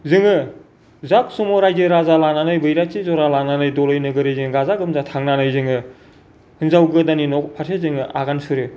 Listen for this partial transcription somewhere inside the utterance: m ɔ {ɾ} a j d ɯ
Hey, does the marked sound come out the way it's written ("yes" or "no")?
yes